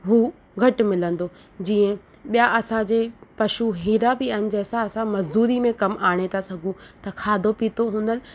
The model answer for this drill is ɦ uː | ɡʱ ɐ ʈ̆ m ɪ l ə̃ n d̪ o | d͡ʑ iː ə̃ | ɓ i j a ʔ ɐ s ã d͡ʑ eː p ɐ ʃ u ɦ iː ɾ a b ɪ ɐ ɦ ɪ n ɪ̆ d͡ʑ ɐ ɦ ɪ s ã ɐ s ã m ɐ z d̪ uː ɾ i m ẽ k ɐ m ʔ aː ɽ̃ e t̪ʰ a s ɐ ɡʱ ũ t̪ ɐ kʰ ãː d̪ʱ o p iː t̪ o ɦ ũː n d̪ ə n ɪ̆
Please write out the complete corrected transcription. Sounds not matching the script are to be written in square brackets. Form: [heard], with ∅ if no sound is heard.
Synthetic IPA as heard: ɦ uː | ɡʱ ɐ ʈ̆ m ɪ l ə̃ n d̪ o | d͡ʑ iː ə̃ | ɓ i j a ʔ ɐ s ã d͡ʑ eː p ɐ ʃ u ɦ iː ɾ a b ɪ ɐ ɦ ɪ n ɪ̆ d͡ʑ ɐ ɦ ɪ s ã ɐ s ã m ɐ z d̪ uː ɾ i m ẽ k ɐ m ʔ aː ɽ̃ e t̪ʰ a s ɐ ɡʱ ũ t̪ ɐ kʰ [aː] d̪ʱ o p iː t̪ o ɦ ũː n d̪ ə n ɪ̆